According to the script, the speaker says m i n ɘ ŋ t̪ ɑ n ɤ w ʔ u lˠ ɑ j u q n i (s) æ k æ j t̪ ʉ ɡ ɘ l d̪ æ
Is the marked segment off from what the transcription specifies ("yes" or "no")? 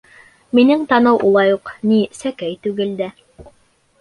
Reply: no